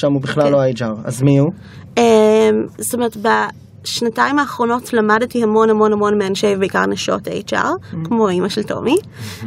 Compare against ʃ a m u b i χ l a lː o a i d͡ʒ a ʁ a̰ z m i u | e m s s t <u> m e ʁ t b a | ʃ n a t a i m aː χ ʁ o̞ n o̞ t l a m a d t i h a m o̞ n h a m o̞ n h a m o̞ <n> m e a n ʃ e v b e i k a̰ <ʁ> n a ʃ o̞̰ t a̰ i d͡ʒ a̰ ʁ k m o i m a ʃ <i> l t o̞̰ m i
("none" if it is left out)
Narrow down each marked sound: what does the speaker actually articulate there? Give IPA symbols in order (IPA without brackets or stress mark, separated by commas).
o, n, ʁ, e